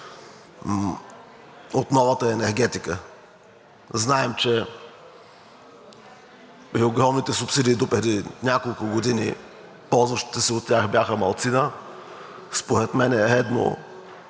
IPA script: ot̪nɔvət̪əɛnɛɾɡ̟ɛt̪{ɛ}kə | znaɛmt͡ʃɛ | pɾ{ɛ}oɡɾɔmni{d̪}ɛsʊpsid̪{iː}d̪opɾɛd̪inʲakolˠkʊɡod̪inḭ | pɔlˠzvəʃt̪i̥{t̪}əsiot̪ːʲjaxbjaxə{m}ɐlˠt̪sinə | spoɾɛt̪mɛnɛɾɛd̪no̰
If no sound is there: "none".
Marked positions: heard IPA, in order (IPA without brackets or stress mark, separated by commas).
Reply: i, i, t̪, iː, t̪, m